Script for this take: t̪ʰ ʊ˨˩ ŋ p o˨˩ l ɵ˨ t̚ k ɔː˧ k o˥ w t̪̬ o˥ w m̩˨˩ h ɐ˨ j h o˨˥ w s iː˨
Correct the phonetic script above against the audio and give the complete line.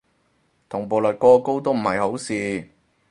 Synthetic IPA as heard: t̪ʰ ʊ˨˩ ŋ p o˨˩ l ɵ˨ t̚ k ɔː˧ k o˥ w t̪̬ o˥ w m̩˨˩ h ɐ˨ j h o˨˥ w s iː˨